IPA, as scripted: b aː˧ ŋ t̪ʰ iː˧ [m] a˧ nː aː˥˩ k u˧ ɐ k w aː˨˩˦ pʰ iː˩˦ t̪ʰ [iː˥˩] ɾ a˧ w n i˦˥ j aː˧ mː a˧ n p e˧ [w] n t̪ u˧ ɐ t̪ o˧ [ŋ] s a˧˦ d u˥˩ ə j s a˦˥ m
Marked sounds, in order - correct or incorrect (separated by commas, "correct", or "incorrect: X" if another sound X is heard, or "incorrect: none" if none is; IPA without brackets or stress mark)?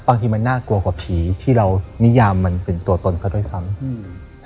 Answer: correct, correct, incorrect: none, incorrect: n